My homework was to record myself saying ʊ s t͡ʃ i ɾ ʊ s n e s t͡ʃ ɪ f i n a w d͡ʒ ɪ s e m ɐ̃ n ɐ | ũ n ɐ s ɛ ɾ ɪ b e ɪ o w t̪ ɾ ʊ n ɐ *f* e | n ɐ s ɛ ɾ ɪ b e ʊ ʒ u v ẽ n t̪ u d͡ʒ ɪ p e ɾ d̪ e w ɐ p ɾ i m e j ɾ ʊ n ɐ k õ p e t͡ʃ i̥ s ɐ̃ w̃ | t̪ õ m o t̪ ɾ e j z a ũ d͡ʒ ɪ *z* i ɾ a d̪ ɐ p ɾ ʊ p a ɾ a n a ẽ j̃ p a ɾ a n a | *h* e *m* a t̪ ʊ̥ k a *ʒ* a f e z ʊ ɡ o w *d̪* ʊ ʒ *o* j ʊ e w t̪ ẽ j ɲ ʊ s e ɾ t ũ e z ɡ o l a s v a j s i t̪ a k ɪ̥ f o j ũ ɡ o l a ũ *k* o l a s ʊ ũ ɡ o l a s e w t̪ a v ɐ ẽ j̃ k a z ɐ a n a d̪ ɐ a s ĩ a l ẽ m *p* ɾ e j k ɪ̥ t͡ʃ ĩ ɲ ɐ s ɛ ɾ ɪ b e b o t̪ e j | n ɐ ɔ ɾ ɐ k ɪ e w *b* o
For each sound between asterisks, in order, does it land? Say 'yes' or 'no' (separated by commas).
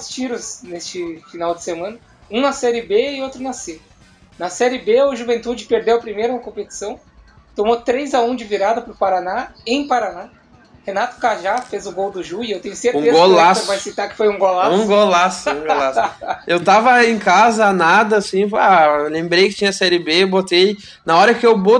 no, no, yes, no, yes, yes, no, no, no, yes